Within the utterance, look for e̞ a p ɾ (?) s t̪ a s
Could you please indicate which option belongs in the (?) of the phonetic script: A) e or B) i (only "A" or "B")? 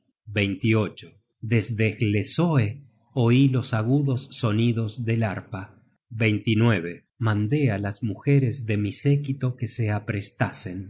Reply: A